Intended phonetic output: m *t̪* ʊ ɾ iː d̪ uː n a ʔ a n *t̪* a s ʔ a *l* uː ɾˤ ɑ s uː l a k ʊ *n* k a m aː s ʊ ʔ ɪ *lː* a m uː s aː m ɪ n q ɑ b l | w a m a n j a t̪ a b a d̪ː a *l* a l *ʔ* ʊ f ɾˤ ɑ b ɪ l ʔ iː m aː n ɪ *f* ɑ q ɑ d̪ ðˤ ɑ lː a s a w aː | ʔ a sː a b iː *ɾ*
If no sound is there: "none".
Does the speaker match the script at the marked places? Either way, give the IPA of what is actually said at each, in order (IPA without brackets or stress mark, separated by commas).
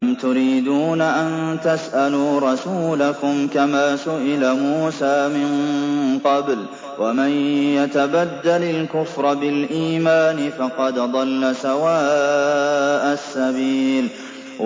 t̪, t̪, l, m, l, l, k, f, l